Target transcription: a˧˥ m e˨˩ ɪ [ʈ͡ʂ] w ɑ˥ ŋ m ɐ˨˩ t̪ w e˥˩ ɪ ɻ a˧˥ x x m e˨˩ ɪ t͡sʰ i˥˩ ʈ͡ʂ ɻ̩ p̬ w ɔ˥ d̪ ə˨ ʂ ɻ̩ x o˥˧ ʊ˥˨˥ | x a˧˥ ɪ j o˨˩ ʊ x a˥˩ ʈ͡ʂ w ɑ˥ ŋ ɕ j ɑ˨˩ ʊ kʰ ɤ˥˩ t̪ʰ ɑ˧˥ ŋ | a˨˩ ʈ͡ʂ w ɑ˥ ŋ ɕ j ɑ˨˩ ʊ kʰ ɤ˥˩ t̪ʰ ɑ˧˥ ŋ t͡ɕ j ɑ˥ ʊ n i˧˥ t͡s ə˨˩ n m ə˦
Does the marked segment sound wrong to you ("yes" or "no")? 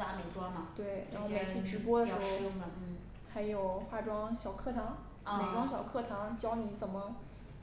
no